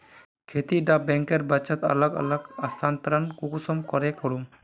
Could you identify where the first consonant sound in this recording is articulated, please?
velar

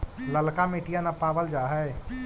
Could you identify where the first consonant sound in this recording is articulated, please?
alveolar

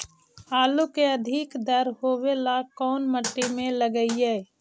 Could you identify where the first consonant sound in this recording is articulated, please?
alveolar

